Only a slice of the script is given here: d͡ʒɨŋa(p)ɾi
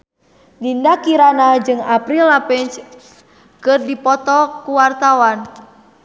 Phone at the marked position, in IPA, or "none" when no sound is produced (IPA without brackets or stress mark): p